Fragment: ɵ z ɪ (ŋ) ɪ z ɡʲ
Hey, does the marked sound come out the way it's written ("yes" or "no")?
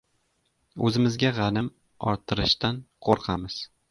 no